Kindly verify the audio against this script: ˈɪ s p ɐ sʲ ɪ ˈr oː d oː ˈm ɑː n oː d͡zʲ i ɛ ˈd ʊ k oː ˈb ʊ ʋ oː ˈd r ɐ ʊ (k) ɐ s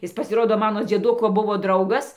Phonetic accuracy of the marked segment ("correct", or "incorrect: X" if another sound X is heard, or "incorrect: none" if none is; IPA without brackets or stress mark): incorrect: ɡ